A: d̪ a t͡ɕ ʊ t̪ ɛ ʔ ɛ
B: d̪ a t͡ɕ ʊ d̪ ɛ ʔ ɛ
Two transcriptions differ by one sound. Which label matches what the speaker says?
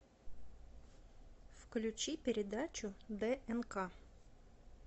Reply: B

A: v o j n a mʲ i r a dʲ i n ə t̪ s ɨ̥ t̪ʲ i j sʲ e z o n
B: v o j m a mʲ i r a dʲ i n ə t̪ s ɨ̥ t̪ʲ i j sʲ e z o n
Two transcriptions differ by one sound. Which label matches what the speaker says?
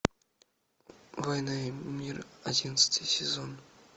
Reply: A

